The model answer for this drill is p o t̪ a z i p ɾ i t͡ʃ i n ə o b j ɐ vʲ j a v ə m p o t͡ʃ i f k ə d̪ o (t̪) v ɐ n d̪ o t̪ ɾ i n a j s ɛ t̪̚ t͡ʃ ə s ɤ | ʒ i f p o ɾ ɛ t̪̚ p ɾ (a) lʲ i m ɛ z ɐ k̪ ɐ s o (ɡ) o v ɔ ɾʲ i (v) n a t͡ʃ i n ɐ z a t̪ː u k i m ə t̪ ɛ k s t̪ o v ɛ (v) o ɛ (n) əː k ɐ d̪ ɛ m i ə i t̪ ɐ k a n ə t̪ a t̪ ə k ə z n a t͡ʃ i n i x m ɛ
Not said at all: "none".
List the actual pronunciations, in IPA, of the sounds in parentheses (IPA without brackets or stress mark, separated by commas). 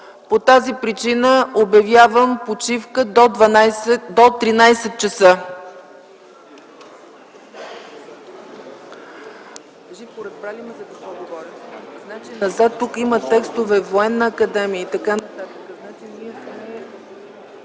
d̪, a, ɡ, z, v, nː